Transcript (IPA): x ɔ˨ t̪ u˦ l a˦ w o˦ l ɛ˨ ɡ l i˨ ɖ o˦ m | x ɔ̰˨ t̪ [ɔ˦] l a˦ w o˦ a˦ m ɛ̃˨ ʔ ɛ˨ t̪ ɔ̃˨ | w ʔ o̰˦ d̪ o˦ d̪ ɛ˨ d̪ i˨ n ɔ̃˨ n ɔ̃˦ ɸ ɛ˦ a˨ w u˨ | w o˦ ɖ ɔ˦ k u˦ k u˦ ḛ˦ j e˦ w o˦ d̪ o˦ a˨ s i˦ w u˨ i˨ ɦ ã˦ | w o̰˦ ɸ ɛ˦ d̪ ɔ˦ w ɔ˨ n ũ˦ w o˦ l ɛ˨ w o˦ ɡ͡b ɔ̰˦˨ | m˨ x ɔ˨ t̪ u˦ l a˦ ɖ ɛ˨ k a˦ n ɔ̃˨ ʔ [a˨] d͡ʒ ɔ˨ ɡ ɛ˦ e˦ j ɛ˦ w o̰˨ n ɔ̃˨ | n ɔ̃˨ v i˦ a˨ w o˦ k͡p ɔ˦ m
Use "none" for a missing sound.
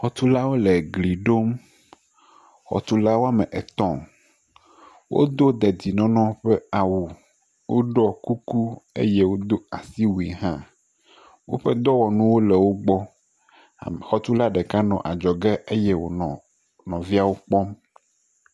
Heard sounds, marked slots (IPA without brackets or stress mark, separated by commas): u˦, a˨